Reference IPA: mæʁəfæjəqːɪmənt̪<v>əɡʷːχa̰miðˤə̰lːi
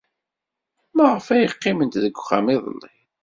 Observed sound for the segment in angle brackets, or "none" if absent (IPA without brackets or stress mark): ð